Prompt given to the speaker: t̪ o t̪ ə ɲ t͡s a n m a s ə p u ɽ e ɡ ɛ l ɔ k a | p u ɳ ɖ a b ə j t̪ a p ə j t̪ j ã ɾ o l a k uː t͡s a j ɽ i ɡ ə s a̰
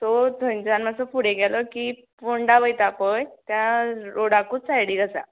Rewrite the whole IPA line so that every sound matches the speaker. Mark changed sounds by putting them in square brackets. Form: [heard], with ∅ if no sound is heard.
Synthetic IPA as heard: t̪ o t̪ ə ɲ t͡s a n m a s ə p u ɽ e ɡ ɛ l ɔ k [i] | p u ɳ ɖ a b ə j t̪ a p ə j t̪ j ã ɾ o [ɽ] a k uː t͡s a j ɽ i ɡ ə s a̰